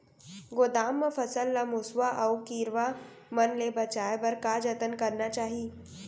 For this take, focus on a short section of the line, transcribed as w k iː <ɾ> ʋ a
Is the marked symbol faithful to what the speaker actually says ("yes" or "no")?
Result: yes